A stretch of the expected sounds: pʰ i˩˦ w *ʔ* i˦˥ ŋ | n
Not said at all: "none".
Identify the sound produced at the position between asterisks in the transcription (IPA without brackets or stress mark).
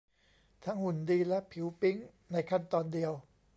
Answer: p